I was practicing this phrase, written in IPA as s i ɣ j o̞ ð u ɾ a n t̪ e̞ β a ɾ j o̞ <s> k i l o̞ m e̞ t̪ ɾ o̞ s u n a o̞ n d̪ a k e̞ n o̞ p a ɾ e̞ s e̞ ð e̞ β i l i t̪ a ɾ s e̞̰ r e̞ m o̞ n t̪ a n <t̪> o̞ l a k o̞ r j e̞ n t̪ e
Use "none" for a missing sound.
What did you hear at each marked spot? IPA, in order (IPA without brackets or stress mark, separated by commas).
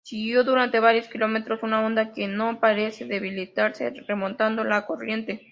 s, d̪